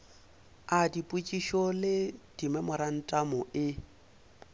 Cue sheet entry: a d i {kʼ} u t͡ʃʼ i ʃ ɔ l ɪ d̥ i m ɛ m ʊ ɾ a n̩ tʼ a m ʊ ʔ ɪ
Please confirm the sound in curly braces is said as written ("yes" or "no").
no